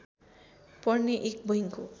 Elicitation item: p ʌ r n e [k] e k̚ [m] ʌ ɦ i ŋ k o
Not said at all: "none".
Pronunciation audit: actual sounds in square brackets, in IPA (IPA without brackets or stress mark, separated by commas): ʔ, b